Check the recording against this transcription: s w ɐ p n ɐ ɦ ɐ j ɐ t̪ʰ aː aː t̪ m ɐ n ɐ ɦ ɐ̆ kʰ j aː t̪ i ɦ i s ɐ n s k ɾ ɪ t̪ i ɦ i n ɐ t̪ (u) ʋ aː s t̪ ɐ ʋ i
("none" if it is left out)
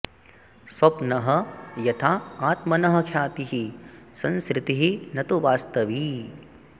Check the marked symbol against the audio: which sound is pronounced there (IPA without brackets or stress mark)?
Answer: u